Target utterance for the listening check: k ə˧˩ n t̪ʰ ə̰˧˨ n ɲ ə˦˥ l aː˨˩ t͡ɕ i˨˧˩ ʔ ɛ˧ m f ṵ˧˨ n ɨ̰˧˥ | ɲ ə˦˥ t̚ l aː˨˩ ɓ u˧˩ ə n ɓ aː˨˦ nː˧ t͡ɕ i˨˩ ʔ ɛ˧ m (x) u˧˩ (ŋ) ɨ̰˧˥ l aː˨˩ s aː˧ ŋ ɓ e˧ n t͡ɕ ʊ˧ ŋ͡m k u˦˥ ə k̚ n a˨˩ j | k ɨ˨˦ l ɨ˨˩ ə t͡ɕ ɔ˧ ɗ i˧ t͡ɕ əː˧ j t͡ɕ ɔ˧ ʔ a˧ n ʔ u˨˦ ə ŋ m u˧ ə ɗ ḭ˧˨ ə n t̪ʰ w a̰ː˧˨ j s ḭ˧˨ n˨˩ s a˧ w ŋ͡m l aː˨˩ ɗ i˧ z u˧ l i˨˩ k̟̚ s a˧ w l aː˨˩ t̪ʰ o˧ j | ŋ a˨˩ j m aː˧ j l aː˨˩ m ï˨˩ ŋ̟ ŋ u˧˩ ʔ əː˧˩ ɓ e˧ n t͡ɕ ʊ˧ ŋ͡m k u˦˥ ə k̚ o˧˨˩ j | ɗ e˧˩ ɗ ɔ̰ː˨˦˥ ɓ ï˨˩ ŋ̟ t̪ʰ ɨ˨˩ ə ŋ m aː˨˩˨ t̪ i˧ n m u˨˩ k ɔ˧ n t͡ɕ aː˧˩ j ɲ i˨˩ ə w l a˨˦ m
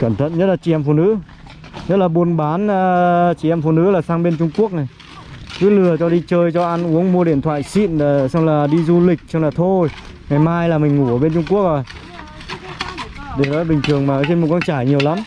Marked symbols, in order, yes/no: no, no

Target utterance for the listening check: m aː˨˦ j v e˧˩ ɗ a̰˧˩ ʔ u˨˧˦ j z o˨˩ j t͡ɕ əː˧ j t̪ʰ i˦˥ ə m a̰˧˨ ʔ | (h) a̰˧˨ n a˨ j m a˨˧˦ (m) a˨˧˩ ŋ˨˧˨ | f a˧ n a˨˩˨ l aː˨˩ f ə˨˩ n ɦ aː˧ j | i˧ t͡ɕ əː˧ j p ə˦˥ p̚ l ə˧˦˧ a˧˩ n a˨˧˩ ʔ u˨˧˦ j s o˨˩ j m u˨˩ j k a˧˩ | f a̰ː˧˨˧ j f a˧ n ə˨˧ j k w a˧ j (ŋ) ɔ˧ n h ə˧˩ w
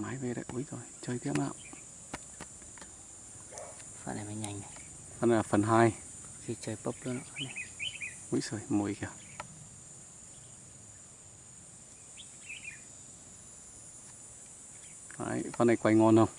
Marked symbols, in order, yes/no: no, no, yes

